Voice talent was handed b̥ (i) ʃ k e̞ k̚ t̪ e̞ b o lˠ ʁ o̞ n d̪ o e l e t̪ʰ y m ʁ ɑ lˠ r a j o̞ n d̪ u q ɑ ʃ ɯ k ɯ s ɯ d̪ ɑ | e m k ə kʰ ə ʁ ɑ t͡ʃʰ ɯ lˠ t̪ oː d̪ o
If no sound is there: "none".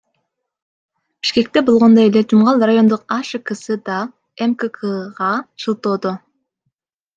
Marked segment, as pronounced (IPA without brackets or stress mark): i